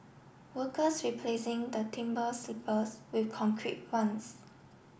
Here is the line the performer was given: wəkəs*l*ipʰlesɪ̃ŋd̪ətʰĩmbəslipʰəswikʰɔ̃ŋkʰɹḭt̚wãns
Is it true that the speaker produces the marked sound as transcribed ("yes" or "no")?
no